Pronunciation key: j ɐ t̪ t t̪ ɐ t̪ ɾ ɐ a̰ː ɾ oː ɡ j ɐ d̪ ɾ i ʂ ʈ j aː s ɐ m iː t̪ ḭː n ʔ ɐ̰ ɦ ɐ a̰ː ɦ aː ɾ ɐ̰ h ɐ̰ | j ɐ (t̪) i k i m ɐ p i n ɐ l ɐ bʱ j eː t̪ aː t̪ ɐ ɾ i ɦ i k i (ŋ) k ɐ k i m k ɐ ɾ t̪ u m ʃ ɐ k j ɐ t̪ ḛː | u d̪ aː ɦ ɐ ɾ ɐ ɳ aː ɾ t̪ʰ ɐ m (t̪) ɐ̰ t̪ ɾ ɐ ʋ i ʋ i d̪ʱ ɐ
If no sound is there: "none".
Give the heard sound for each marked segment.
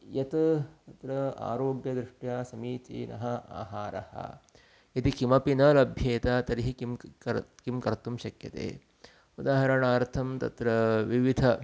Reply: t̪, m, t̪

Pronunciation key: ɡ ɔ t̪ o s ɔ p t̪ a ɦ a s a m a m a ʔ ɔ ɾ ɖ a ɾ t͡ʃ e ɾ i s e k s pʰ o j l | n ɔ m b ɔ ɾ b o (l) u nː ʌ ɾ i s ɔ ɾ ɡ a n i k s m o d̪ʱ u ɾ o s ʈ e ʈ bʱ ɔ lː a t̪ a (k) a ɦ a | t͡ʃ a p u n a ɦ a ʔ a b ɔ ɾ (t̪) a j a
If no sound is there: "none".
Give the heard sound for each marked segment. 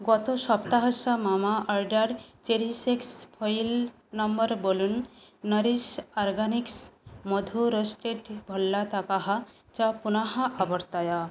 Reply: l, k, t̪

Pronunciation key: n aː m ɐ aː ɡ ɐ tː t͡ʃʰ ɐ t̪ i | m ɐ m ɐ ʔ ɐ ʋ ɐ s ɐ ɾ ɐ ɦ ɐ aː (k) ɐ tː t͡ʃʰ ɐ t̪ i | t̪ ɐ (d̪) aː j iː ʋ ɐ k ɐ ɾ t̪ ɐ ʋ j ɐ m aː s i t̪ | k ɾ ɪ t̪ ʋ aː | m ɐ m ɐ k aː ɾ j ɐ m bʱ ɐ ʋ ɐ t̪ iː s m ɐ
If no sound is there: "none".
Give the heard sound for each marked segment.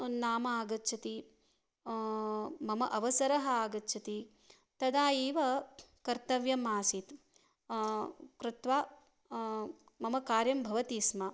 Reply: ɡ, d̪

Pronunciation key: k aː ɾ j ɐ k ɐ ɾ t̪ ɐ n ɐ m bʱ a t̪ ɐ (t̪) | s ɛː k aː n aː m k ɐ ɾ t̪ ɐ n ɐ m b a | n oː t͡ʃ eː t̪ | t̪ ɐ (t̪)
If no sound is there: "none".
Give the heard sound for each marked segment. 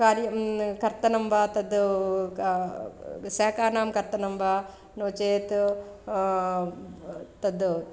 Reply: d̪, d̪

